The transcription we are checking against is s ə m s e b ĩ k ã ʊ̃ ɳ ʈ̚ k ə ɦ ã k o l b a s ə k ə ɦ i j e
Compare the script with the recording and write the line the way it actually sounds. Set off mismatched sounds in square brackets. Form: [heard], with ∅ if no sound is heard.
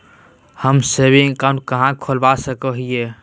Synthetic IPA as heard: [h] ə m s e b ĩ k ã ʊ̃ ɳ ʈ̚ k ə ɦ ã [kʰ] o l b a s ə k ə ɦ i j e